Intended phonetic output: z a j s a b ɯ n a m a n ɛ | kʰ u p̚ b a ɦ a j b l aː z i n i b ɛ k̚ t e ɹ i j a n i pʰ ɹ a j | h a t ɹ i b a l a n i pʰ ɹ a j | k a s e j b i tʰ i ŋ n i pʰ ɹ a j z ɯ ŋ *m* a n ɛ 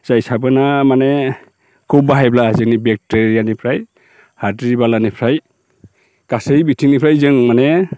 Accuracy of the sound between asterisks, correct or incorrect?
correct